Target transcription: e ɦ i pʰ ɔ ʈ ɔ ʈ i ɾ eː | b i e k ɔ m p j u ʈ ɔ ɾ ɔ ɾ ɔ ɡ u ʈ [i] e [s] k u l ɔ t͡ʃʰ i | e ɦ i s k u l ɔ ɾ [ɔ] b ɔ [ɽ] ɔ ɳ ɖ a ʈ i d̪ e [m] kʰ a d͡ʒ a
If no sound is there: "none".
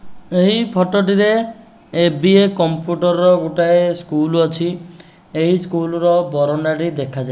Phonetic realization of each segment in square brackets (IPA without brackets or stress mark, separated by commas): a, s, ɔ, ɾ, none